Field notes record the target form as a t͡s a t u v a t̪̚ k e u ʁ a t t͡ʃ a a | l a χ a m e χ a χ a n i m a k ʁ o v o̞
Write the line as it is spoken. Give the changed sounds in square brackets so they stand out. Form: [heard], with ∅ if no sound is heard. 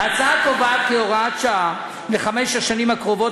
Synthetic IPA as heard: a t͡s a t [o] v a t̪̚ k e [o] ʁ a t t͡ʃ a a | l [e] χ a m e [ʃ] a [ʃ] a n i m a k ʁ o v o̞